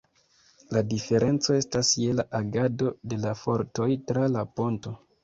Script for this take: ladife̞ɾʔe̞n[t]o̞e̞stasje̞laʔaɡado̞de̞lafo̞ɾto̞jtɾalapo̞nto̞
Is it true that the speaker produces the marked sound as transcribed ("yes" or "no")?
no